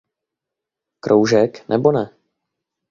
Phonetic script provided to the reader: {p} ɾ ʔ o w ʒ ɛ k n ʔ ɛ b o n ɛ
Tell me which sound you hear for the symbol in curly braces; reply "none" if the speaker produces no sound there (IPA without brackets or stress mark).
k